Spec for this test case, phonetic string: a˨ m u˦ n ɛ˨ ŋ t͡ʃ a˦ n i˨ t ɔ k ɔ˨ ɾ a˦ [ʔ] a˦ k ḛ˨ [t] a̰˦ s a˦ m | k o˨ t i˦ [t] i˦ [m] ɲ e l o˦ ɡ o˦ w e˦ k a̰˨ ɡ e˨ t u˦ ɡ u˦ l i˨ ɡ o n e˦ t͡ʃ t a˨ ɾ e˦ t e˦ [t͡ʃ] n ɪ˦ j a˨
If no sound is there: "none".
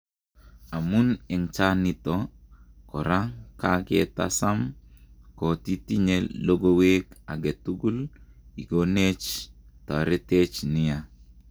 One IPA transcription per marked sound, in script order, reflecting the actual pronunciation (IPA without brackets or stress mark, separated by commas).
k, t, t, none, t͡ʃ